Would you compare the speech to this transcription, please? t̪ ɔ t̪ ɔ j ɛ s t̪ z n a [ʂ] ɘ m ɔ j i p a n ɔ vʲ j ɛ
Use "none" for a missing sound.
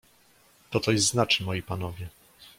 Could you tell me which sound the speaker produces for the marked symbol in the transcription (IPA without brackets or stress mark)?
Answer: t͡ʂ